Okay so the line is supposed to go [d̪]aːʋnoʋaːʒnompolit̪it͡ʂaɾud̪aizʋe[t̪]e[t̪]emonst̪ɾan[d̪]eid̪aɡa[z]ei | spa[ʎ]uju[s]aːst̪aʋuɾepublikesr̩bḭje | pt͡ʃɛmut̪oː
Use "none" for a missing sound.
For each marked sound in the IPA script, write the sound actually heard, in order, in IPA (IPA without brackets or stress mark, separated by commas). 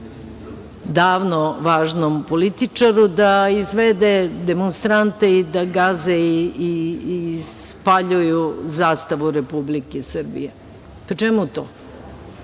d̪, d̪, d̪, t̪, z, ʎ, z